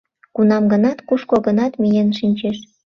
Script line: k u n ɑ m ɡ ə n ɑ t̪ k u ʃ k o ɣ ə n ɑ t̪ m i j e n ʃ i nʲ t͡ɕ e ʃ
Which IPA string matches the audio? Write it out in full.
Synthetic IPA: k u n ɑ m ɡ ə n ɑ t̪ k u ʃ k o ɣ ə n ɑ t̪ m i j e n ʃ i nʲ t͡ɕ e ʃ